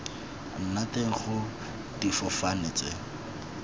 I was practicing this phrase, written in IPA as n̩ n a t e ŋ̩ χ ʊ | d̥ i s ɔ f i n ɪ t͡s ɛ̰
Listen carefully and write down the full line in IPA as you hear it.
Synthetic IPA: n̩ n a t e ŋ̩ χ ʊ | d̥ i f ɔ f a n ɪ t͡s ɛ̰